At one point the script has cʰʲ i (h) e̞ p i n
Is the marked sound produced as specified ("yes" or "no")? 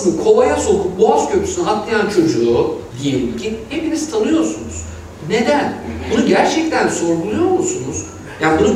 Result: yes